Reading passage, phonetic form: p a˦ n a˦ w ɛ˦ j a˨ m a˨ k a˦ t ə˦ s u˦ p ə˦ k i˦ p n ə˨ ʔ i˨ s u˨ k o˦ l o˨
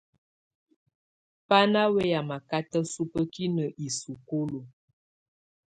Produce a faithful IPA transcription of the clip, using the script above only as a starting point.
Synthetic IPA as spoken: p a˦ n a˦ w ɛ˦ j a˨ m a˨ k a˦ t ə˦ s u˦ p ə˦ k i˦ n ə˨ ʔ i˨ s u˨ k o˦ l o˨